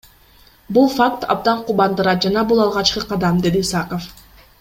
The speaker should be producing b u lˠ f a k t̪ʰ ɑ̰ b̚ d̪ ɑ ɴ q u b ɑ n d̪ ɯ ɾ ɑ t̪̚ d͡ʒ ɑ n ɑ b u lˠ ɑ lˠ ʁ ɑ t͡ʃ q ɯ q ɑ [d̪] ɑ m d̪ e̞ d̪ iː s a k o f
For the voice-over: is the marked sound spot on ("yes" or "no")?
yes